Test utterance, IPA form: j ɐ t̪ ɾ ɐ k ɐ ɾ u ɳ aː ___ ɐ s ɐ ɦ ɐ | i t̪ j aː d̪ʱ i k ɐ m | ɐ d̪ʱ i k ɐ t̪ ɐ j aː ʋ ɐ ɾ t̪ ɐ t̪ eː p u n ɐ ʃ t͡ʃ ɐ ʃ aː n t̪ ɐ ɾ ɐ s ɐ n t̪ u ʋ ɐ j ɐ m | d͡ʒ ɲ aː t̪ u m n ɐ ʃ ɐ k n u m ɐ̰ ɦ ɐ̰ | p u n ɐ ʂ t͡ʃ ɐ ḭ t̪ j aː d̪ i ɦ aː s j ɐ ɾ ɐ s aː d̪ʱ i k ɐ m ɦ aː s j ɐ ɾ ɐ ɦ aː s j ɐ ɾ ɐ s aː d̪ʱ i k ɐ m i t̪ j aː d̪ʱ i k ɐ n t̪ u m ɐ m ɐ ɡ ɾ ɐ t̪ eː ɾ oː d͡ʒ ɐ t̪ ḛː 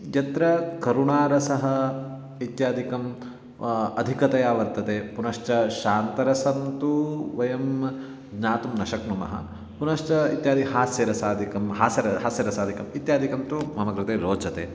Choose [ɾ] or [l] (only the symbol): ɾ